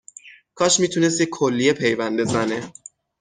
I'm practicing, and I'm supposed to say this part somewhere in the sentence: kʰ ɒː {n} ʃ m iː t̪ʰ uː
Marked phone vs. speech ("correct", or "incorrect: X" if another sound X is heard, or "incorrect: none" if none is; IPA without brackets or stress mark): incorrect: none